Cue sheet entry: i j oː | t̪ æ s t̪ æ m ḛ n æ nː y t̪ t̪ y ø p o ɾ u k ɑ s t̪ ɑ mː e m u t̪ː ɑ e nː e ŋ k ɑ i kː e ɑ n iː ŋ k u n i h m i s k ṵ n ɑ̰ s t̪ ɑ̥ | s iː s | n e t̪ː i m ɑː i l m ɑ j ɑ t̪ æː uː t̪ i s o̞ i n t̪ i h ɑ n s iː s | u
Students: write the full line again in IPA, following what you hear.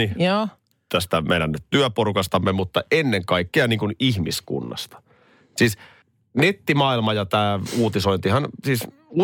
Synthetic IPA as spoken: i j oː | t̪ æ s t̪ æ m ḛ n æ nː y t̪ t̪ y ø p o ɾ u k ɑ s t̪ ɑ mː e m u t̪ː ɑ e nː e ŋ k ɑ i kː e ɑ n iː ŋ k u n i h m i s k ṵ nː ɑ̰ s t̪ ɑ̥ | s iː s | n e t̪ː i m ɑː i l m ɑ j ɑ t̪ æː uː t̪ i s o̞ i n t̪ i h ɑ n s iː s | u